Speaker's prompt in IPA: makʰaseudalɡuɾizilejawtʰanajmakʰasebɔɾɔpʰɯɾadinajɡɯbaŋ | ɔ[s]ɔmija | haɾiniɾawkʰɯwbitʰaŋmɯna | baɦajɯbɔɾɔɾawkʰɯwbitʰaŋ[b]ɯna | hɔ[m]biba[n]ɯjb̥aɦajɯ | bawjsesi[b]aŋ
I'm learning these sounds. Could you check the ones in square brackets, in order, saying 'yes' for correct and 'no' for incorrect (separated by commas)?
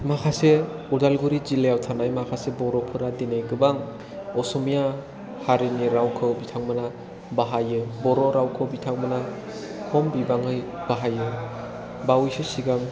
yes, no, yes, no, no